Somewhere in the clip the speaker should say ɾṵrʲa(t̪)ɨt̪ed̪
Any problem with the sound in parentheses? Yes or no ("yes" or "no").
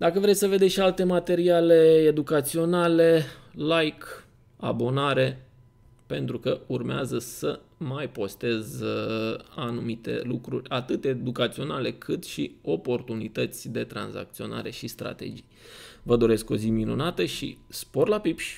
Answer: no